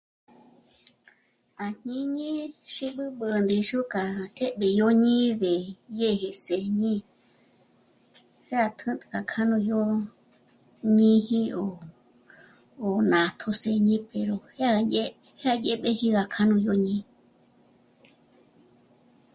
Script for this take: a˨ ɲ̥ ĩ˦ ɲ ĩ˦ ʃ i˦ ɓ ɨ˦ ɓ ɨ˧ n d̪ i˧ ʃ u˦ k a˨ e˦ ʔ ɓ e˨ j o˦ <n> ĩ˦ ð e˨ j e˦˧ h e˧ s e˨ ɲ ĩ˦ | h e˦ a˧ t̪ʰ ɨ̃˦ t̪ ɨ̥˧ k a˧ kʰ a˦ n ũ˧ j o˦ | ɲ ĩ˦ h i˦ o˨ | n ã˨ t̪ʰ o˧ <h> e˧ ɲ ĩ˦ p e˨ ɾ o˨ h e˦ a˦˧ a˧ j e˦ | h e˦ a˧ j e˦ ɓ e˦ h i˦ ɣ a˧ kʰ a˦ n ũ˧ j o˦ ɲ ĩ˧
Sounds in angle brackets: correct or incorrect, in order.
incorrect: ɲ, incorrect: s

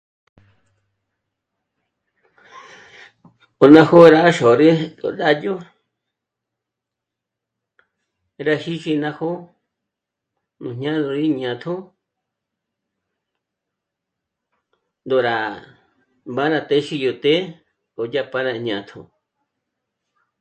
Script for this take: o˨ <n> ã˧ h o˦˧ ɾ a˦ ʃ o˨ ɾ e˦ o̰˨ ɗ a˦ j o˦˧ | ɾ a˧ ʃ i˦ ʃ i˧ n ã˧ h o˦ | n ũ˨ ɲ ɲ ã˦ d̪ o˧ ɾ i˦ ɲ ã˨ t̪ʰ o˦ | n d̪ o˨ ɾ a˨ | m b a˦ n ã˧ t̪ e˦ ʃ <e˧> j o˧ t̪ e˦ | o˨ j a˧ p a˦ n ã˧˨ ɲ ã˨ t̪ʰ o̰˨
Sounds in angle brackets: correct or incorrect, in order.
correct, incorrect: i˧

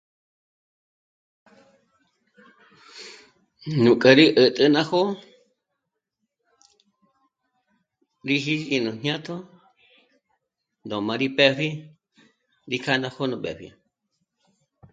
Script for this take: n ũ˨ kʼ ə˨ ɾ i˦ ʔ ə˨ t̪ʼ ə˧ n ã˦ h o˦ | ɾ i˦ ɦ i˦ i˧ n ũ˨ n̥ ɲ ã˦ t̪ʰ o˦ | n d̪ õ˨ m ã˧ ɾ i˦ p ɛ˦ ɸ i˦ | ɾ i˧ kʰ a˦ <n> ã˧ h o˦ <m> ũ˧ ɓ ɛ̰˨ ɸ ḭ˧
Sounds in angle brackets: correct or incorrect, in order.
correct, incorrect: n

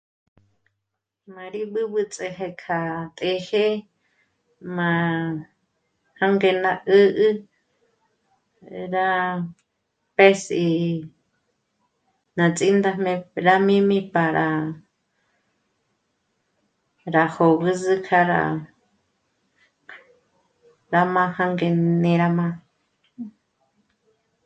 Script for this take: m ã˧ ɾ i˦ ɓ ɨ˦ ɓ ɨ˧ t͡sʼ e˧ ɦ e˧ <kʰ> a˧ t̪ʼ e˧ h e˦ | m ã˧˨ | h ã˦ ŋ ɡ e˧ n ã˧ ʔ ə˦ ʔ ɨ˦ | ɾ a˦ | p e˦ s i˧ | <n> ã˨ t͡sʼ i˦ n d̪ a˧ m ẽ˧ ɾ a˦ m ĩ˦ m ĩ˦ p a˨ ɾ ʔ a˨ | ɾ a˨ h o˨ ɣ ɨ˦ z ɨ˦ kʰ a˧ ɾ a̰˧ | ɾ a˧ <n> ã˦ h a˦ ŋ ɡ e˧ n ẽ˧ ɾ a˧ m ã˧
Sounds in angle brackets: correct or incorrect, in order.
correct, correct, incorrect: m

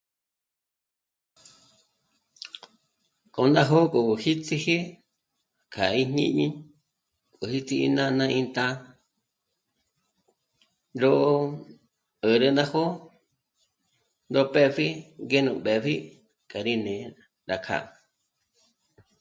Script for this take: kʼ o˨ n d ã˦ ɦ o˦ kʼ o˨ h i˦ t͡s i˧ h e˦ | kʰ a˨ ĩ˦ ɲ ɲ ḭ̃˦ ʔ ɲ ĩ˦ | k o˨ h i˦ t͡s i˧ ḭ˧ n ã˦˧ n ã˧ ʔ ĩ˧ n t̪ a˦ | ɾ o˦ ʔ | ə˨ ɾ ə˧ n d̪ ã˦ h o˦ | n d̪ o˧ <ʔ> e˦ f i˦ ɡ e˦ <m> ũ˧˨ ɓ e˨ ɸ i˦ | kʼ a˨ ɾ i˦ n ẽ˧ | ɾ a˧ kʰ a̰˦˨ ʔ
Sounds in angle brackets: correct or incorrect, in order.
incorrect: p, incorrect: n

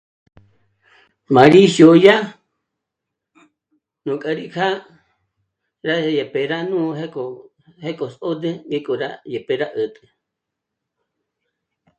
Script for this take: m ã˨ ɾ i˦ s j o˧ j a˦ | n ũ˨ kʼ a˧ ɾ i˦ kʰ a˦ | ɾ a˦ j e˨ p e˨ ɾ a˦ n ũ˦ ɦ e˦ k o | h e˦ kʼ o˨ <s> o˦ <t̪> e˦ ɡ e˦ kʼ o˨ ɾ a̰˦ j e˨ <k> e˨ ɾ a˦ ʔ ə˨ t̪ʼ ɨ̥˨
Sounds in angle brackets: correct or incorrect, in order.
correct, incorrect: d̪, incorrect: p

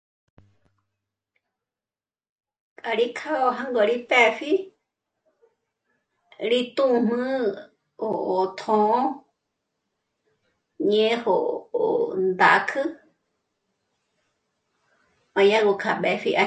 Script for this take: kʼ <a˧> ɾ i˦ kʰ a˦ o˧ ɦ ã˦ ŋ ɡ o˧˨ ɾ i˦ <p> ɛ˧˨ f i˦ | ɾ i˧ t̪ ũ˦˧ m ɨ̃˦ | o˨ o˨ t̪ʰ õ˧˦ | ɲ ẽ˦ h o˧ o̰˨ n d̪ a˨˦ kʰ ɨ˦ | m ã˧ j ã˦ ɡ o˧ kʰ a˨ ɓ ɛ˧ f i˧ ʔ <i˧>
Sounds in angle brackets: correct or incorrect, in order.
correct, correct, incorrect: a˧

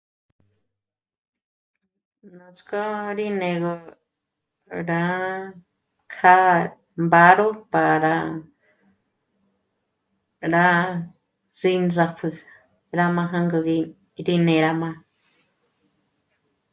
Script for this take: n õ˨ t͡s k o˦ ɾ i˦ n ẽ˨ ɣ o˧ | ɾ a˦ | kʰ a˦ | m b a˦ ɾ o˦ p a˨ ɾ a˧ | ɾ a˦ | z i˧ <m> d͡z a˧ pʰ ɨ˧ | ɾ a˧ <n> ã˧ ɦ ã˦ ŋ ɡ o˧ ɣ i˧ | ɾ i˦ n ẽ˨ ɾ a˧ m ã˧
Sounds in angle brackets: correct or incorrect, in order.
incorrect: n, incorrect: m

